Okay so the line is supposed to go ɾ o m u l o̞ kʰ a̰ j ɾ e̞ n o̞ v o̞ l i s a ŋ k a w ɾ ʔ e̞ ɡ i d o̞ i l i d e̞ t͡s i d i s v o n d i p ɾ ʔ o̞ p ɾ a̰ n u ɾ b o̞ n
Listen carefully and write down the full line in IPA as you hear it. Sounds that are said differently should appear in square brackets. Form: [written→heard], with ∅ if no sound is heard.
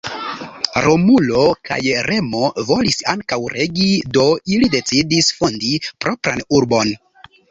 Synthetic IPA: ɾ o m u l o̞ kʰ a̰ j ɾ e̞ [n→m] o̞ v o̞ l i s a ŋ k a w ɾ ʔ e̞ ɡ i d o̞ i l i d e̞ t͡s i d i s [v→f] o n d i p ɾ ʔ o̞ p ɾ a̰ n u ɾ b o̞ n